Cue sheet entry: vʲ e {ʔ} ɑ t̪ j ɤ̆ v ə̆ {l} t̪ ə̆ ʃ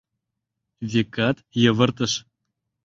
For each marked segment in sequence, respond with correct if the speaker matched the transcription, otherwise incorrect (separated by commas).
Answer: incorrect, incorrect